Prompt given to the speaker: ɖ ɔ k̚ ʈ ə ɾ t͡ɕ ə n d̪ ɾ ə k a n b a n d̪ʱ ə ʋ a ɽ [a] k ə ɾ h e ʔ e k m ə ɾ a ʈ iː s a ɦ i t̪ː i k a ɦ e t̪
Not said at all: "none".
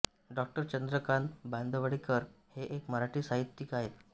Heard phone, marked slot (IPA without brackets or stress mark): i